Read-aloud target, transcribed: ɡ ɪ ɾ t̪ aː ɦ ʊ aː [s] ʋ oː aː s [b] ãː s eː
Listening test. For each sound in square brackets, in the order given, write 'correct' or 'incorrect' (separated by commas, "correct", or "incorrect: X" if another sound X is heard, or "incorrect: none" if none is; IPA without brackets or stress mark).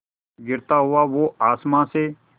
incorrect: none, incorrect: m